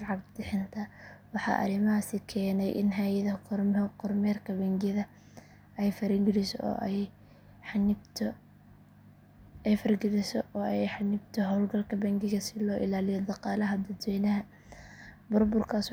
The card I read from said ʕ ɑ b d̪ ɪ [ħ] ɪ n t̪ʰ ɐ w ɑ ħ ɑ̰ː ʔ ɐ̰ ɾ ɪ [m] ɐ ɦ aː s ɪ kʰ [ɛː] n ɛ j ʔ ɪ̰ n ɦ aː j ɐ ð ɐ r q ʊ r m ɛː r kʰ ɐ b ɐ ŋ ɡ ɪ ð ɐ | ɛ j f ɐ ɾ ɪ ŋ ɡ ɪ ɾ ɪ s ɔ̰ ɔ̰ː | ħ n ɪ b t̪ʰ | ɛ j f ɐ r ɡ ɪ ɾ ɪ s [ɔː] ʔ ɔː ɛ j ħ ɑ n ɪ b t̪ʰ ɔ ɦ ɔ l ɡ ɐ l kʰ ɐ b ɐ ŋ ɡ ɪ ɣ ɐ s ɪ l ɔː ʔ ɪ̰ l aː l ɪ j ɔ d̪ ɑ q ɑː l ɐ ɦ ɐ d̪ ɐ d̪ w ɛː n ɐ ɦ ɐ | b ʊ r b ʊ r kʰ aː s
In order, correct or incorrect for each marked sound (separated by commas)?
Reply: correct, correct, correct, incorrect